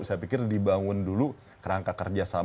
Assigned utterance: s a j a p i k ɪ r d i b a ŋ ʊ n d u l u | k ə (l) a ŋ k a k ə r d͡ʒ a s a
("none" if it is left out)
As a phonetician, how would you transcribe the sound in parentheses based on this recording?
ɾ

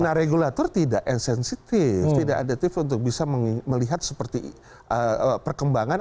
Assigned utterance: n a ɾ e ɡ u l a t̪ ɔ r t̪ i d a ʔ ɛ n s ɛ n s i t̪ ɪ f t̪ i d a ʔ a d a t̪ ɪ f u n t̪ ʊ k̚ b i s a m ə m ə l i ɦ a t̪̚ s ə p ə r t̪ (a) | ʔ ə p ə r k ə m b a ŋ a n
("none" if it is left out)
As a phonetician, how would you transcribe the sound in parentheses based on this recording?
i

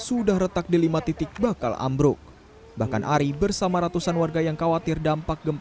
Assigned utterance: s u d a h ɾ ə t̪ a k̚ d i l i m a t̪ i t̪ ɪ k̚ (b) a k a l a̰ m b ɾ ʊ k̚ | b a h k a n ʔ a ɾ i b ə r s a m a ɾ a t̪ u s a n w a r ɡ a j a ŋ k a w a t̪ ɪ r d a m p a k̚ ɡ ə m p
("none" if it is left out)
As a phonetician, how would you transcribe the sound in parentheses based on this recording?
b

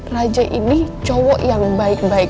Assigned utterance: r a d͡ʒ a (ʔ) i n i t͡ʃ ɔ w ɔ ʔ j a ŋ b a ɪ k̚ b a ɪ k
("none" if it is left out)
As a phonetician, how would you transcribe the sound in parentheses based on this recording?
ʔ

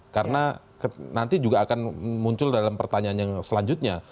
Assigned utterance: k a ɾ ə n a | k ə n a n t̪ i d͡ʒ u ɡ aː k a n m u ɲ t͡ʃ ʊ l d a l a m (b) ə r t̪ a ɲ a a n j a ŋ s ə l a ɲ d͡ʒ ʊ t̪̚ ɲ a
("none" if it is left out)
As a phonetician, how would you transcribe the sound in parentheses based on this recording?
p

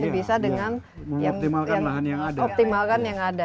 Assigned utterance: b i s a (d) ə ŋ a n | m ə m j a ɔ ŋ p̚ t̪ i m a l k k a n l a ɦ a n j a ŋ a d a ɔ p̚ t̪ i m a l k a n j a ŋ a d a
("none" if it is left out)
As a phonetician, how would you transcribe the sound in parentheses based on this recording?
d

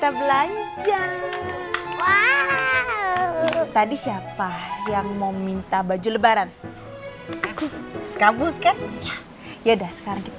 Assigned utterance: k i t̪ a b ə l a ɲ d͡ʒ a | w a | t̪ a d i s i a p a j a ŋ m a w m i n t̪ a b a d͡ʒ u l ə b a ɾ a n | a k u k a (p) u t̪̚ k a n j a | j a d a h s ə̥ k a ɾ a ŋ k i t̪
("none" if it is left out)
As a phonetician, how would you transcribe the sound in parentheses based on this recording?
b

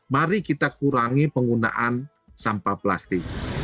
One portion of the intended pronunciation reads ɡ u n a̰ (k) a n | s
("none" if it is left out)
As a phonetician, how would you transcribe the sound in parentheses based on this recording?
ʔ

